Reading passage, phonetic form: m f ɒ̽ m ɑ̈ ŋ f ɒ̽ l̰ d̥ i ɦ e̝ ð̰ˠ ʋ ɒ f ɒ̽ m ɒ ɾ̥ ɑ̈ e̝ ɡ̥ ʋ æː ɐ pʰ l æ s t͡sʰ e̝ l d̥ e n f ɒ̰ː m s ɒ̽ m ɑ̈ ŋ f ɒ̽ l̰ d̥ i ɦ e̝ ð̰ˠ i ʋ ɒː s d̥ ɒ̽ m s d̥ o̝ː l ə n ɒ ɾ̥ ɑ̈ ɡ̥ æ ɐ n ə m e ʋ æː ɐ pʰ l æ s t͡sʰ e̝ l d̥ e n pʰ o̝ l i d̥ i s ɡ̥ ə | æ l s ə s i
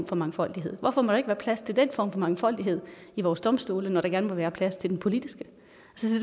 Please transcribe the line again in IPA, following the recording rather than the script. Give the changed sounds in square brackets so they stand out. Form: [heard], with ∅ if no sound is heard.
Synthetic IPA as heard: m f ɒ̽ m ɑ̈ ŋ f ɒ̽ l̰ d̥ i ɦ e̝ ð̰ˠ ʋ ɒ f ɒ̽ m ɒ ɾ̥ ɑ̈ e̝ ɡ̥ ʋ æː ɐ pʰ l æ s t͡sʰ e̝ l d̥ e n f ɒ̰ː m [f] ɒ̽ m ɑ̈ ŋ f ɒ̽ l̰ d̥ i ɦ e̝ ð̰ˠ i ʋ ɒː s d̥ ɒ̽ m s d̥ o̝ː l ə n ɒ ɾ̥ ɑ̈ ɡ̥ æ ɐ n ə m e ʋ æː ɐ pʰ l æ s t͡sʰ e̝ l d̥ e n pʰ o̝ l i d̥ i s ɡ̥ ə | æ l s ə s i